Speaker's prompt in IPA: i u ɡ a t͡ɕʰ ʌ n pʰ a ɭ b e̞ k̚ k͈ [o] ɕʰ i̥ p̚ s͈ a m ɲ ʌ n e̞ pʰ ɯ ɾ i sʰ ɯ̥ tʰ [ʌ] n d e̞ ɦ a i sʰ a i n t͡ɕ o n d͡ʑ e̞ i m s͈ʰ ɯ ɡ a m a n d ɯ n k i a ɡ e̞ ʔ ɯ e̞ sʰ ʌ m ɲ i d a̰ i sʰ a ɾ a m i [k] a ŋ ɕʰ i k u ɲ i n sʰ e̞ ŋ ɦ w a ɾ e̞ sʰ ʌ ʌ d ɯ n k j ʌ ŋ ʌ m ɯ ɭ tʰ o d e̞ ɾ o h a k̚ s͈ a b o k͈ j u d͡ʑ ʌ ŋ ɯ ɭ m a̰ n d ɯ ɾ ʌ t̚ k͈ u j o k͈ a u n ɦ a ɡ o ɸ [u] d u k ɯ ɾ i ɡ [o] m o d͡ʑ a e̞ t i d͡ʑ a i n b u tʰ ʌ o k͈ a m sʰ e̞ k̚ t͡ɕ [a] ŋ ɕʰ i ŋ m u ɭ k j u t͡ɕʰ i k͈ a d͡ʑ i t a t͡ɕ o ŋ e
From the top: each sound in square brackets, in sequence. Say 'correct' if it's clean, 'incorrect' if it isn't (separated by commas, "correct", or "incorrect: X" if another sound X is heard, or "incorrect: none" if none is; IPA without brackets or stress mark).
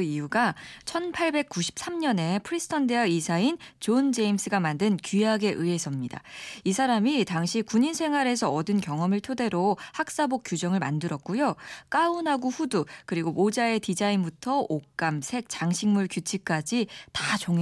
incorrect: u, correct, incorrect: t, correct, correct, correct